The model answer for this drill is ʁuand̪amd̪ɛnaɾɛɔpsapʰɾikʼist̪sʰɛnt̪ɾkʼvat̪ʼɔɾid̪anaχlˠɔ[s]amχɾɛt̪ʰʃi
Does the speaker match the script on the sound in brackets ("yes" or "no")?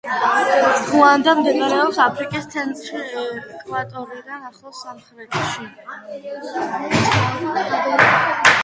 yes